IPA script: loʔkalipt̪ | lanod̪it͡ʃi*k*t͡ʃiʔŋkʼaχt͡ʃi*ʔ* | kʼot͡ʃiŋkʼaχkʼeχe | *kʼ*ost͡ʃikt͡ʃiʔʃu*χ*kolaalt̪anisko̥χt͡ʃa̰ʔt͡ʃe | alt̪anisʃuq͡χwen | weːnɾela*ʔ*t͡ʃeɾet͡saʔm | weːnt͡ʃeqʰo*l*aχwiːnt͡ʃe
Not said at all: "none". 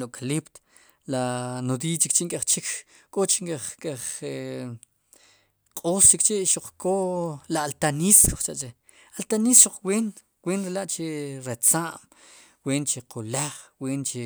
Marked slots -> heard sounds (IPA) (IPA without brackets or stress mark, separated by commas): k, k, qʼ, q͡χ, ʔ, l